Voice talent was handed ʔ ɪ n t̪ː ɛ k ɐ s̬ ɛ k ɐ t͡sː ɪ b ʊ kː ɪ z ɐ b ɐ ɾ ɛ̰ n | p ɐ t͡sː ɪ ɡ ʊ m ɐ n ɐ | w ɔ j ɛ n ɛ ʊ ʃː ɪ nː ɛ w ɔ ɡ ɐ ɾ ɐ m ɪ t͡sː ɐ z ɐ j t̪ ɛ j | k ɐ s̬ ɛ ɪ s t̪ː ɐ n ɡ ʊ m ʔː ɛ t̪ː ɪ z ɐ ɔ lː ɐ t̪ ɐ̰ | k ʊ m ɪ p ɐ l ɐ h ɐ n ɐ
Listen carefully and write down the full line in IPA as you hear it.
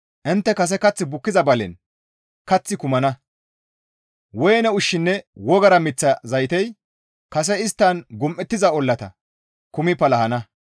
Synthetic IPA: ʔ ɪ n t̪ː ɛ k ɐ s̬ ɛ k ɐ t͡sː ɪ b ʊ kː ɪ z ɐ b ɐ l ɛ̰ n | k ɐ t͡sː ɪ k ʊ m ɐ n ɐ | w ɔ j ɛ n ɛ ʊ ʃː ɪ nː ɛ w ɔ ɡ ɐ ɾ ɐ m ɪ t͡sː ɐ z ɐ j t̪ ɛ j | k ɐ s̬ ɛ ɪ s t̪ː ɐ n ɡ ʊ m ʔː ɛ t̪ː ɪ z ɐ ɔ lː ɐ t̪ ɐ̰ | k ʊ m ɪ p ɐ l ɐ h ɐ n ɐ